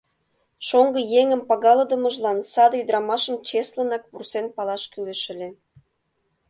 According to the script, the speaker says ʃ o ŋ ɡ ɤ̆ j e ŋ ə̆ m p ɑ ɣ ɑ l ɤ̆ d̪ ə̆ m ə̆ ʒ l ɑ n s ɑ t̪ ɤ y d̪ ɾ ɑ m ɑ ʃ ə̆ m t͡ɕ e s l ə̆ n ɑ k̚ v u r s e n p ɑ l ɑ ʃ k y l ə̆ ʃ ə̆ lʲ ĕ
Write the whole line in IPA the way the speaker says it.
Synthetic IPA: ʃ o ŋ ɡ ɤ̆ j e ŋ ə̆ m p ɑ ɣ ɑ l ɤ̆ d̪ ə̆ m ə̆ ʒ l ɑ n s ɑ d̪ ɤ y d̪ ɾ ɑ m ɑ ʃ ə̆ m t͡ɕ e s l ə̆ n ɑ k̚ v u r s e n p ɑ l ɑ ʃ k y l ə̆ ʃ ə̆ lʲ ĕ